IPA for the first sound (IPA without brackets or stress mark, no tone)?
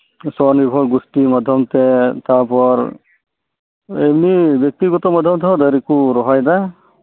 s